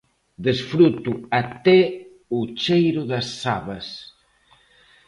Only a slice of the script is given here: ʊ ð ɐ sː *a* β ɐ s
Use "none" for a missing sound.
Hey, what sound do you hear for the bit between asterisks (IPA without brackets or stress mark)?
a